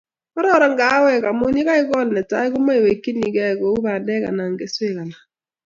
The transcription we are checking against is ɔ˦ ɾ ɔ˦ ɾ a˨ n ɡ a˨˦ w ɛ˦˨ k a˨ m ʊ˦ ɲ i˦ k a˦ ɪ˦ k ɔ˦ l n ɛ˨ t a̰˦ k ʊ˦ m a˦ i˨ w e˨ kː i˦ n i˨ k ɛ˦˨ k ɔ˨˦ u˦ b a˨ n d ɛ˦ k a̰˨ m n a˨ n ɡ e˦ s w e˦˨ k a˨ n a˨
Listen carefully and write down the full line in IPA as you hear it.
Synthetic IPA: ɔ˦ ɾ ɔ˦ ɾ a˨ ŋ ɡ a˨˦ w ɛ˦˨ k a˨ m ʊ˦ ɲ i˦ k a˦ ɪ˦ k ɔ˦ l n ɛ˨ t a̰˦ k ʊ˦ m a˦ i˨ w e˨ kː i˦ n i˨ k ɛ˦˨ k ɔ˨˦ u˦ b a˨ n d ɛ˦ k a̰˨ n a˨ ŋ ɡ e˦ s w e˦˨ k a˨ n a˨